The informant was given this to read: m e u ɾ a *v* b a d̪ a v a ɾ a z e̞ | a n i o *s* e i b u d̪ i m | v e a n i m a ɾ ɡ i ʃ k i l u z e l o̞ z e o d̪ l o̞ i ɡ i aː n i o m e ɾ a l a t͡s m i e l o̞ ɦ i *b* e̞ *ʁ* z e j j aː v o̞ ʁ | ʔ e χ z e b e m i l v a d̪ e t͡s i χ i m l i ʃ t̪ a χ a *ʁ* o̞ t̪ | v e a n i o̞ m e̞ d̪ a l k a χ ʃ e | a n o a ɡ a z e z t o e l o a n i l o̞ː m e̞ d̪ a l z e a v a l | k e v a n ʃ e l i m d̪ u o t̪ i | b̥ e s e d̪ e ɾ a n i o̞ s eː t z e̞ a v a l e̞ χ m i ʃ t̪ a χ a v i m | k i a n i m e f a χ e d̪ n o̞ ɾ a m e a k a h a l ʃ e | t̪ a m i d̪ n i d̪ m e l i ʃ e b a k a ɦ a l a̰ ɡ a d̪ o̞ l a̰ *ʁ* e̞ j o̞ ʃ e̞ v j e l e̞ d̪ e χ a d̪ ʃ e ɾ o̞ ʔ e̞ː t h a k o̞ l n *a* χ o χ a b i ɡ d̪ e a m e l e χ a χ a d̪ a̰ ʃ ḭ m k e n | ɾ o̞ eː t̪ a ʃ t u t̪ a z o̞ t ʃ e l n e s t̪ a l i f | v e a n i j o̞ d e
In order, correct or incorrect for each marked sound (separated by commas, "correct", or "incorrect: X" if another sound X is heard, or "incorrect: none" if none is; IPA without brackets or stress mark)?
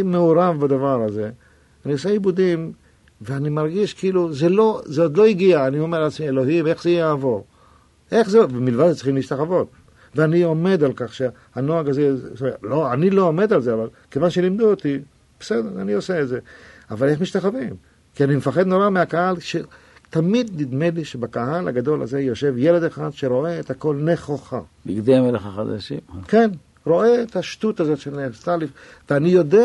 correct, correct, incorrect: m, incorrect: χ, incorrect: v, incorrect: z, incorrect: e